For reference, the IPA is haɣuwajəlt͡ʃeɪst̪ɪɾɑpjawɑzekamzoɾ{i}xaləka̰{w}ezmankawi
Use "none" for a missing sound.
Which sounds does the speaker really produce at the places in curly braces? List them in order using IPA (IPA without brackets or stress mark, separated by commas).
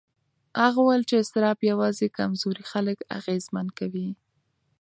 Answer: i, ɣ